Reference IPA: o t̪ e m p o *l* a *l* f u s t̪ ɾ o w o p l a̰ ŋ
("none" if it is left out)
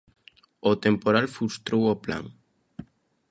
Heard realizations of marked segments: ɾ, l

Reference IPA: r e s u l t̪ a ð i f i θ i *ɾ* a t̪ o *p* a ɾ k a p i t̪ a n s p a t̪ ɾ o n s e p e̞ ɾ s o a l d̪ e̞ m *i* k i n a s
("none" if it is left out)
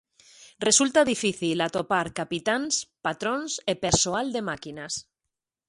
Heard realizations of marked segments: l, p, a

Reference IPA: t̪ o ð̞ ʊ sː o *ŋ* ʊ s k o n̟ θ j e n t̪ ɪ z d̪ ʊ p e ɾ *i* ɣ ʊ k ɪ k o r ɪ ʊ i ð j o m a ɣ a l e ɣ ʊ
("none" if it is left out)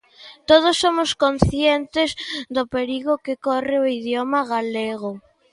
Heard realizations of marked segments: m, i

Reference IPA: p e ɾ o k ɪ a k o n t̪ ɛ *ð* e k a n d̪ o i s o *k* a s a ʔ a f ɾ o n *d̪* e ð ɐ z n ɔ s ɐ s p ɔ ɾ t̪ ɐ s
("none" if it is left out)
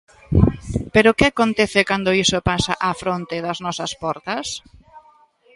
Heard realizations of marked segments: θ, p, t̪

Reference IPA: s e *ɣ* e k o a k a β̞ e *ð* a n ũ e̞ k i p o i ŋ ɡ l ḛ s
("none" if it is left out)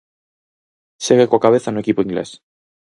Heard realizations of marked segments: ɣ, θ

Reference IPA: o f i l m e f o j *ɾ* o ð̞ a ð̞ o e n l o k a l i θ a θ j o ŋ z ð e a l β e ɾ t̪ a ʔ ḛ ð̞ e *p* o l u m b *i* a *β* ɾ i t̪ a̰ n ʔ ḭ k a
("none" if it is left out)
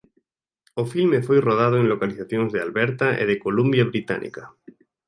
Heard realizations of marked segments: r, k, j, β

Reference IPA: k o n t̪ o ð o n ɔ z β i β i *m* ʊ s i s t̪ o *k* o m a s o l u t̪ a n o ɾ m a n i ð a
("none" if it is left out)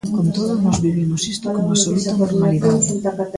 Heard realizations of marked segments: m, k

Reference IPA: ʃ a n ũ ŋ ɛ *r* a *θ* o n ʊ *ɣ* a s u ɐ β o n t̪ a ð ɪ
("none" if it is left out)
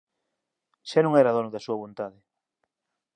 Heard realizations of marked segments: ɾ, ð, ð

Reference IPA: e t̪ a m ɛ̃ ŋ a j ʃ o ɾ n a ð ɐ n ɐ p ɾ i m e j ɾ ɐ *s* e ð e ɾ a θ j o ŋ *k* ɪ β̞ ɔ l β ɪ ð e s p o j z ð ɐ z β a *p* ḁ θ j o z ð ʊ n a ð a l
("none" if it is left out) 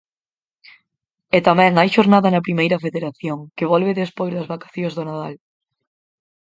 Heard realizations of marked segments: f, k, k

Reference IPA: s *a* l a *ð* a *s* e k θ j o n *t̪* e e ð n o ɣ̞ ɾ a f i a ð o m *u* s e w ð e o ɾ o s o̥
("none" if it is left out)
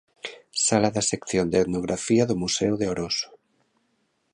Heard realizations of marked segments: a, ð, s, d̪, u

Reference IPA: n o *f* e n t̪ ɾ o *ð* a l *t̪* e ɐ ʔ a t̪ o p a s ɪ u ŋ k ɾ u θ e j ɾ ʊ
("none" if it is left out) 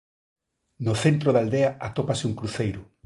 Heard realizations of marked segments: θ, ð, d̪

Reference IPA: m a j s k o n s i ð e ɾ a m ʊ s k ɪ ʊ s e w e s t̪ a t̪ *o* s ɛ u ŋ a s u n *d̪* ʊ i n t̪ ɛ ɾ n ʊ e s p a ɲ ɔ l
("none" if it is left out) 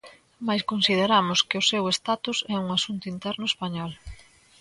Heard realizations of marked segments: u, t̪

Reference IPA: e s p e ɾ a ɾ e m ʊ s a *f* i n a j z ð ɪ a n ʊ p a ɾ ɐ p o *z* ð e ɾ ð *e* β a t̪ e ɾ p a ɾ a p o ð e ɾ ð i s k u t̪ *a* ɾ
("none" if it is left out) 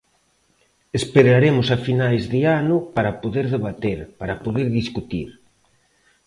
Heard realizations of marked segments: f, none, e, i

